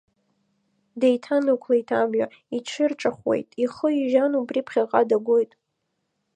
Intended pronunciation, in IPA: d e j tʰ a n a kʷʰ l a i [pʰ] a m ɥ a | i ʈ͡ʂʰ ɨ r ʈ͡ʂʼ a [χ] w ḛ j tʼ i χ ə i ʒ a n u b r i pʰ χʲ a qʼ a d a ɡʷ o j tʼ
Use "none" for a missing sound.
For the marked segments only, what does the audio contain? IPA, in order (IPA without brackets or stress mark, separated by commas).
tʰ, χ